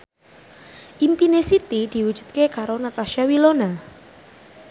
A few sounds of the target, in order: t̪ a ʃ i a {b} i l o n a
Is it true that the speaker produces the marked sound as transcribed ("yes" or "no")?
no